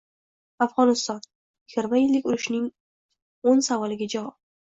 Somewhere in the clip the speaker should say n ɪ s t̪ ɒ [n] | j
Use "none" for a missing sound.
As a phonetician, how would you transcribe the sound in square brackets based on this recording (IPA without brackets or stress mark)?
n